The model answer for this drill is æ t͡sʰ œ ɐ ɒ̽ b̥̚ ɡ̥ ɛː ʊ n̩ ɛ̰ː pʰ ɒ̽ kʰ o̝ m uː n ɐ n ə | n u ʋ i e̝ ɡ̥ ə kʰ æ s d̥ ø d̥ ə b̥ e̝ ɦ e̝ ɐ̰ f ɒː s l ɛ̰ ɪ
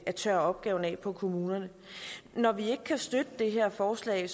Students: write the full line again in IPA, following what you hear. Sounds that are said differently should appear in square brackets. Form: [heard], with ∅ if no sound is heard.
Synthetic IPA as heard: æ t͡sʰ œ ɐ ɒ̽ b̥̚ ɡ̥ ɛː ʊ n̩ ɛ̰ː pʰ ɒ̽ kʰ o̝ m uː n ɐ n ə | n [ɒ] ʋ i e̝ ɡ̥ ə kʰ æ s d̥ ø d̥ ə [d̥] e̝ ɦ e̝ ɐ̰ f ɒː s l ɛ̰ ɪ

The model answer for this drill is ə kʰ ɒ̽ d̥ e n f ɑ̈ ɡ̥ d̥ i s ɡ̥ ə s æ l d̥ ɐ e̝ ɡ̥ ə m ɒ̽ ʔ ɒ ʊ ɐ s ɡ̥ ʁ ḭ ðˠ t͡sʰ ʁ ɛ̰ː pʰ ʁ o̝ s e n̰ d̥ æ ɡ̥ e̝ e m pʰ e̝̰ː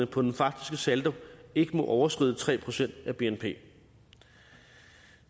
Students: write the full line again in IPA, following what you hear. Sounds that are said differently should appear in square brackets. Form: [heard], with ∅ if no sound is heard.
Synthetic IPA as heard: ə [pʰ] ɒ̽ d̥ e n f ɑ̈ ɡ̥ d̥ i s ɡ̥ ə s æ l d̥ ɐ e̝ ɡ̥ ə m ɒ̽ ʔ ɒ ʊ ɐ s ɡ̥ ʁ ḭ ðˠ t͡sʰ ʁ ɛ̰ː pʰ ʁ o̝ s e n̰ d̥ æ [b̥] e̝ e [n] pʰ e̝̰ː

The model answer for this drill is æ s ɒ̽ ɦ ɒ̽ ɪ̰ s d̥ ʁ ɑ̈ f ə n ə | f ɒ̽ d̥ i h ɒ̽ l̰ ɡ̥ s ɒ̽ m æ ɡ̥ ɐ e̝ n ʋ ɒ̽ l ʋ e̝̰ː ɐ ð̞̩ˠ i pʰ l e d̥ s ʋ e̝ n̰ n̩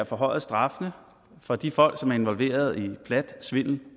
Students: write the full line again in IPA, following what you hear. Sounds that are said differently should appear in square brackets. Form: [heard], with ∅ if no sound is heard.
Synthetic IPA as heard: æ [f] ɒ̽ ɦ ɒ̽ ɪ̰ s d̥ ʁ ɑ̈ f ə n ə | f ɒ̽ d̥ i [f] ɒ̽ l̰ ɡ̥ s ɒ̽ m æ [∅] ɐ e̝ n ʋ ɒ̽ l ʋ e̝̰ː ɐ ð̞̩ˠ i pʰ l [æ] d̥ s ʋ e̝ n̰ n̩

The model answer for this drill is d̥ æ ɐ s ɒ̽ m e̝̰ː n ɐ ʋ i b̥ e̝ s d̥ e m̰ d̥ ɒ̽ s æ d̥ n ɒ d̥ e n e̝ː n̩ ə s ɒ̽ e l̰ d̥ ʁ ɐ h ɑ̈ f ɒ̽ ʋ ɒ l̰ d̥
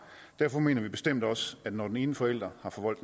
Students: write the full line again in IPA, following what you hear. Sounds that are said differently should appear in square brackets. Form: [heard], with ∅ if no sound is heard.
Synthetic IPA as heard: d̥ æ ɐ [f] ɒ̽ m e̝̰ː n ɐ ʋ i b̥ e̝ s d̥ e m̰ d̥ ɒ̽ s æ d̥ n ɒ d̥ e n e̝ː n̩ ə [f] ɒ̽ e l̰ d̥ ʁ ɐ h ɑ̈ f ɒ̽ ʋ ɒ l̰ d̥

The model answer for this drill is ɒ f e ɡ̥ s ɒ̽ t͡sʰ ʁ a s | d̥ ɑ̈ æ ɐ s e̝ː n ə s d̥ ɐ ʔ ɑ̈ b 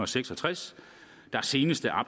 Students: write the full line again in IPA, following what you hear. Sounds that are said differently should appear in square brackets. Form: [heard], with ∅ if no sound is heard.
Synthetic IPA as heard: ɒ [s] e ɡ̥ s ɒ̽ t͡sʰ ʁ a s | d̥ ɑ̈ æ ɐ s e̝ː n ə s d̥ [ə] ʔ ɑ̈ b

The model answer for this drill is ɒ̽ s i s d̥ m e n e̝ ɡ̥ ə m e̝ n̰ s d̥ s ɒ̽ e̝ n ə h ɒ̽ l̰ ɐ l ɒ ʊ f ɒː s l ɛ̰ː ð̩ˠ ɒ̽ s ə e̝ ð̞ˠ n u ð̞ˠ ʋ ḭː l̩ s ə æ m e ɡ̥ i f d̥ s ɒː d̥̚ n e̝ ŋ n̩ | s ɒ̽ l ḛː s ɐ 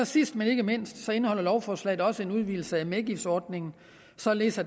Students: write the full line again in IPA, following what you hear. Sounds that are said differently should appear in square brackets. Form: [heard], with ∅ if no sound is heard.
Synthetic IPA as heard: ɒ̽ s i s d̥ m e n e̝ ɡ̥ ə m e̝ n̰ s d̥ s ɒ̽ e̝ n ə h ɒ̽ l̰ ɐ l ɒ ʊ f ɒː s l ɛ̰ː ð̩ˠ ɒ̽ s ə e̝ [∅] n u ð̞ˠ ʋ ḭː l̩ s ə æ m e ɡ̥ i f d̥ s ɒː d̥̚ n e̝ ŋ n̩ | s ɒ̽ l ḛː s ɐ

